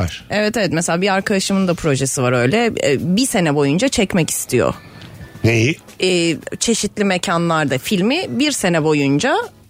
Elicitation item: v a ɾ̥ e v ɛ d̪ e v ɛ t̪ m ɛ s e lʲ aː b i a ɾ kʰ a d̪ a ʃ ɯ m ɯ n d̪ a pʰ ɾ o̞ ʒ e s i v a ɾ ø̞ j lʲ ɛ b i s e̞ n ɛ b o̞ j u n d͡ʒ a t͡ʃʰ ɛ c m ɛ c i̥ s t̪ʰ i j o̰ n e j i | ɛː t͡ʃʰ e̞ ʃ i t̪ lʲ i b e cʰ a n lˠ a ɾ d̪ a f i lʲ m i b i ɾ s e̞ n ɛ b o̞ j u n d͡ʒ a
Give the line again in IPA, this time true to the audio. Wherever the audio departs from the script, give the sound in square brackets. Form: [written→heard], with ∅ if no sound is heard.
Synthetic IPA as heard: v a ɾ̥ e v ɛ [d̪→t̪] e v ɛ t̪ m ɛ s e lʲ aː b i a ɾ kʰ a d̪ a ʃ ɯ m ɯ n d̪ a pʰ ɾ o̞ ʒ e s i v a ɾ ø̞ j lʲ ɛ b i s e̞ n ɛ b o̞ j u n d͡ʒ a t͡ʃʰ ɛ c m ɛ c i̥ s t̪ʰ i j o̰ n e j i | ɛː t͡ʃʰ e̞ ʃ i t̪ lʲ i [b→m] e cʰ a n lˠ a ɾ d̪ a f i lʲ m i b i ɾ s e̞ n ɛ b o̞ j u n d͡ʒ a